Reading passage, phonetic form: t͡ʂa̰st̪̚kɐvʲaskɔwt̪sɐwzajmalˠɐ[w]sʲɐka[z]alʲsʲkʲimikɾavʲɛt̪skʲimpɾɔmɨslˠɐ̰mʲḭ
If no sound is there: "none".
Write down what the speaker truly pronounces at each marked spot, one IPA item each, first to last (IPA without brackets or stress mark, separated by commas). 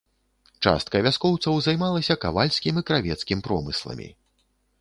none, v